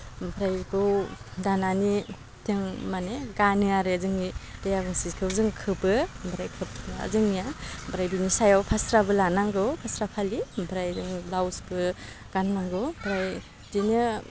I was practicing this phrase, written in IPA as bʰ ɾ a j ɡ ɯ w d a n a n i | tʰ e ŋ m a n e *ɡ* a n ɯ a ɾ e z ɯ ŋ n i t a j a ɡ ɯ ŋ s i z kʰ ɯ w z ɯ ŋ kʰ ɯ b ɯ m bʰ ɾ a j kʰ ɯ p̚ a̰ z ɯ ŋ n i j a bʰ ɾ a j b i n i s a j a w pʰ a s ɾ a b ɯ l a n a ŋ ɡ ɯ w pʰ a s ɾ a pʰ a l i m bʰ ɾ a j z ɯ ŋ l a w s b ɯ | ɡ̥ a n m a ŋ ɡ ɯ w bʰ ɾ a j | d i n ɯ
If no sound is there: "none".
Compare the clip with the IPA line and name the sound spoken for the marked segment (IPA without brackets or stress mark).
ɡ